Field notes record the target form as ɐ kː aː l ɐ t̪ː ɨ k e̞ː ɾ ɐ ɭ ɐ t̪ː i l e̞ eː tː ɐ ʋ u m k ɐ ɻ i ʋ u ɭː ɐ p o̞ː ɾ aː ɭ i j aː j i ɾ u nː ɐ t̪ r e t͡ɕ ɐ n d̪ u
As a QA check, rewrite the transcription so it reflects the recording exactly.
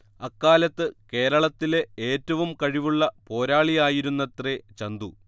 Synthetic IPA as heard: ɐ kː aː l ɐ t̪ː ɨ k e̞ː ɾ ɐ ɭ ɐ t̪ː i l e̞ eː tː ɐ ʋ u m k ɐ ɻ i ʋ u ɭː ɐ p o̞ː ɾ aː ɭ i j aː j i ɾ u nː ɐ t̪ r e t͡ɕ ɐ n d̪ u

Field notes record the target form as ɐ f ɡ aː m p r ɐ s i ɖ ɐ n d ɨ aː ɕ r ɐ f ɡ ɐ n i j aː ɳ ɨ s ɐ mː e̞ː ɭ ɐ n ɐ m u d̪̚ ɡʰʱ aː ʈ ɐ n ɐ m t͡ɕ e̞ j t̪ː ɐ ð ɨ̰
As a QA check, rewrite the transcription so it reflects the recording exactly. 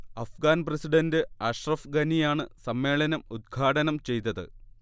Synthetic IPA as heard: ɐ f ɡ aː n p r ɐ s i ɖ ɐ n d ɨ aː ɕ r ɐ f ɡ ɐ n i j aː ɳ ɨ s ɐ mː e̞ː ɭ ɐ n ɐ m u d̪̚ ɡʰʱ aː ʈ ɐ n ɐ m t͡ɕ e̞ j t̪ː ɐ ð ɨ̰

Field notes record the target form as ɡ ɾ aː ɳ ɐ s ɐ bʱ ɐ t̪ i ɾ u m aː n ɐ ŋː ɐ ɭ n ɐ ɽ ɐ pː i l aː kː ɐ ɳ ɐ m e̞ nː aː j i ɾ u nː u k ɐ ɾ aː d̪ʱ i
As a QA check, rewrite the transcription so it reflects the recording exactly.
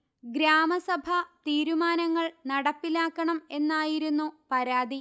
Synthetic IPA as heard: ɡ ɾ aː m ɐ s ɐ bʱ ɐ t̪ iː ɾ u m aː n ɐ ŋː ɐ ɭ n ɐ ɽ ɐ pː i l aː kː ɐ ɳ ɐ m e̞ nː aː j i ɾ u nː u p ɐ ɾ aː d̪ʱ i

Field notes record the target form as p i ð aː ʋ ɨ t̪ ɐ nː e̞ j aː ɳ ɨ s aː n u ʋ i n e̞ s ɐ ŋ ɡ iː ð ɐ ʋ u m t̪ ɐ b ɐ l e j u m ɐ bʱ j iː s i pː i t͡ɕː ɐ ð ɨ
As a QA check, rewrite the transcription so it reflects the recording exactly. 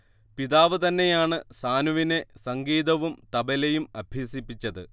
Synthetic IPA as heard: p i ð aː ʋ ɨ t̪ ɐ nː e̞ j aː ɳ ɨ s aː n u ʋ i n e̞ s ɐ ŋ ɡ iː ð ɐ ʋ u m t̪ ɐ b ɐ l e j u m ɐ bʱ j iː s i pː i t͡ɕː ɐ ð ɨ

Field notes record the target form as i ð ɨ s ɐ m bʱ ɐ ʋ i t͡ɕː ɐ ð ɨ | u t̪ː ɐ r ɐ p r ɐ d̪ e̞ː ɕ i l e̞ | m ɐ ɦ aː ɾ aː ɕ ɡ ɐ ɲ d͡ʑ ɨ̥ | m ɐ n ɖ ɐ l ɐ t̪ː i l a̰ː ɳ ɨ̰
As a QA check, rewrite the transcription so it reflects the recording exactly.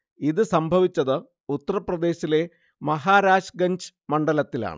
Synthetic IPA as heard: i ð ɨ s ɐ m bʱ ɐ ʋ i t͡ɕː ɐ ð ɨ | u t̪ː ɐ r ɐ p r ɐ d̪ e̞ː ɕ i l e̞ | m ɐ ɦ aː ɾ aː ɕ ɡ ɐ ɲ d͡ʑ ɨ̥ | m ɐ ɳ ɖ ɐ l ɐ t̪ː i l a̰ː ɳ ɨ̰

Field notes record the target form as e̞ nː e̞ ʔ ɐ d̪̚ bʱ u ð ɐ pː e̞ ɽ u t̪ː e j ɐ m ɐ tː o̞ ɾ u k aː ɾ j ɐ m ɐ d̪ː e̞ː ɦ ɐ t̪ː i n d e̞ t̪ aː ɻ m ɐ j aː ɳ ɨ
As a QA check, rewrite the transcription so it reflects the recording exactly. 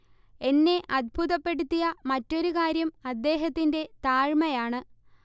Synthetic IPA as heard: e̞ nː e̞ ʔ ɐ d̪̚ bʱ u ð ɐ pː e̞ ɽ u t̪ː i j ɐ m ɐ tː o̞ ɾ u k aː ɾ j ɐ m ɐ d̪ː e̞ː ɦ ɐ t̪ː i n d e̞ t̪ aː ɻ m ɐ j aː ɳ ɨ

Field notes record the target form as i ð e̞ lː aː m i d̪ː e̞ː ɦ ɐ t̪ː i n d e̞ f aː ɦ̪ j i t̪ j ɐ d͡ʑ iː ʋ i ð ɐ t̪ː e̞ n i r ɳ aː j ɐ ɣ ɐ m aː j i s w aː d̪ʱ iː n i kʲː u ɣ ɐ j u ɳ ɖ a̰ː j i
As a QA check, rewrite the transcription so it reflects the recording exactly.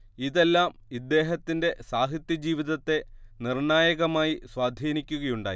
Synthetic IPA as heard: i ð e̞ lː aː m i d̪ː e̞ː ɦ ɐ t̪ː i n d e̞ s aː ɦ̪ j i t̪ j ɐ d͡ʑ iː ʋ i ð ɐ t̪ː e̞ n i r ɳ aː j ɐ ɣ ɐ m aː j i s w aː d̪ʱ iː n i kʲː u ɣ ɐ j u ɳ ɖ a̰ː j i

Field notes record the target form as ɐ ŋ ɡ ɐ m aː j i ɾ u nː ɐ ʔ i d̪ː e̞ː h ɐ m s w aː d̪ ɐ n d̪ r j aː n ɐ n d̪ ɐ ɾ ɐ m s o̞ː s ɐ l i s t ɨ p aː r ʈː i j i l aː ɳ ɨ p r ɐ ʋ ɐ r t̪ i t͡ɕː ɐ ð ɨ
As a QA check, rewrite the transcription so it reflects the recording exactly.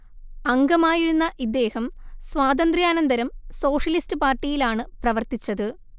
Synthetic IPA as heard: ɐ ŋ ɡ ɐ m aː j i ɾ u nː ɐ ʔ i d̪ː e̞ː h ɐ m s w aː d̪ ɐ n d̪ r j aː n ɐ n d̪ ɐ ɾ ɐ m s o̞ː ʂ ɐ l i s t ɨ p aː r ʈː i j i l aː ɳ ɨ p r ɐ ʋ ɐ r t̪ i t͡ɕː ɐ ð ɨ

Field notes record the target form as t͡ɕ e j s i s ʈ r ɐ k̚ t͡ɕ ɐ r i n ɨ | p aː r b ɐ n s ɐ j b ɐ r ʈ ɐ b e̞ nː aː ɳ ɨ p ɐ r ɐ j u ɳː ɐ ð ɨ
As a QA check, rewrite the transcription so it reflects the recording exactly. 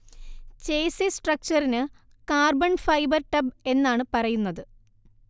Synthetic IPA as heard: t͡ɕ e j s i s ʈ r ɐ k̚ t͡ɕ ɐ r i n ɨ | k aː r b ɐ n f ɐ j b ɐ r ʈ ɐ b e̞ nː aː ɳ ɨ p ɐ r ɐ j u nː ɐ ð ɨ

